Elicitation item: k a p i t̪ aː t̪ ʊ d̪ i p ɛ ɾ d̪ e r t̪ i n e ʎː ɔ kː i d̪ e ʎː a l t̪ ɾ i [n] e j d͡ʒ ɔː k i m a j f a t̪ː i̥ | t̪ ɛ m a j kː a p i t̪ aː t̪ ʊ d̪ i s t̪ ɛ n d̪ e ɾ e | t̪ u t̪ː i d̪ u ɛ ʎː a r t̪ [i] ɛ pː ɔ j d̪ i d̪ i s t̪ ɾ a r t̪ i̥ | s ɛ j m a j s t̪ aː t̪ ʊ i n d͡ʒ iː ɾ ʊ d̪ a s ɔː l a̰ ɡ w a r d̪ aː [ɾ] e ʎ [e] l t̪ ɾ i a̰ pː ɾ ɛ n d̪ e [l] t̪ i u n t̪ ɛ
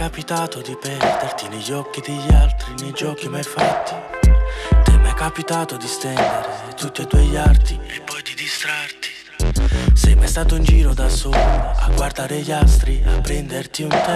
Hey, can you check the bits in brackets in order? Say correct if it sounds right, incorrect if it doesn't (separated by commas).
correct, correct, correct, incorrect, incorrect